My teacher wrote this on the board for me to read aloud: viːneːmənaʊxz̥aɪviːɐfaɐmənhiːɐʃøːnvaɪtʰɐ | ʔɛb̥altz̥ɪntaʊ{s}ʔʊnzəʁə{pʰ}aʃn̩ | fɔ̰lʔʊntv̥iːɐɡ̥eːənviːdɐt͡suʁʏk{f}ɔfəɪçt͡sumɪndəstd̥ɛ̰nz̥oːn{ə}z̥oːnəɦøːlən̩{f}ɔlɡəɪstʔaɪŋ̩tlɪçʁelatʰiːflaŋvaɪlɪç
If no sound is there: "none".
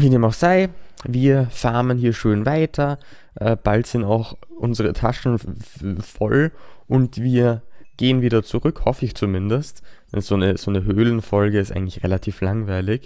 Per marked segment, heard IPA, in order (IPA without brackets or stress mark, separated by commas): x, tʰ, h, ə, f